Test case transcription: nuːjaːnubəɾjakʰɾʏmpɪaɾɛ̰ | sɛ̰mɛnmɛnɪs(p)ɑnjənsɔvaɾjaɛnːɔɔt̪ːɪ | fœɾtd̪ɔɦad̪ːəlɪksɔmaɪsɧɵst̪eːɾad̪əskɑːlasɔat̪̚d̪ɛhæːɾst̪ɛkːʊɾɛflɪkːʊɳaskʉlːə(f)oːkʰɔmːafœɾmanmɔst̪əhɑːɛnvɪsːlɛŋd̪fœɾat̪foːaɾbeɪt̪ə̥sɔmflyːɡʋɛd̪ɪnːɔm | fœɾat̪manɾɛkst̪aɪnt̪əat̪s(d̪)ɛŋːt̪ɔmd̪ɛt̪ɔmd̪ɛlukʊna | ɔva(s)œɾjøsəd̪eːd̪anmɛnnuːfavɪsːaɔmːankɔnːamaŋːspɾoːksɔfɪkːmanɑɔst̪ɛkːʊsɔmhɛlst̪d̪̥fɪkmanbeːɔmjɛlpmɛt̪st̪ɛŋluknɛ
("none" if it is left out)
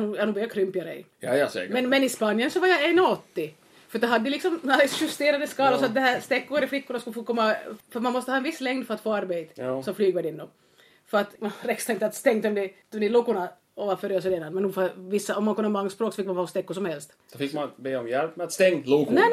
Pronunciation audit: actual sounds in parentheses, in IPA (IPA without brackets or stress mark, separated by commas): p, f, t̪, f